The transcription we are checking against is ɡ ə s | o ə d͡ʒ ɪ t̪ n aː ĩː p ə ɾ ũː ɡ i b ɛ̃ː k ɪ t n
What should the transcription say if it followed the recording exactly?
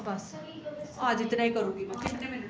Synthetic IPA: b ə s | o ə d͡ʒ ɪ t̪ n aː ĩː k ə ɾ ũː ɡ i m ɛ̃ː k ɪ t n